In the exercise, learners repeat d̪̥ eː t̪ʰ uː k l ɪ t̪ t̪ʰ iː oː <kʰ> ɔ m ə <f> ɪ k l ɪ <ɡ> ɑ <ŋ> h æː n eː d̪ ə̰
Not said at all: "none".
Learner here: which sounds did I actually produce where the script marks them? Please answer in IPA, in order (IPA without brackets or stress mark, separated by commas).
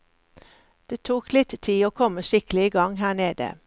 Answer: kʰ, ʃ, ɡ, ŋ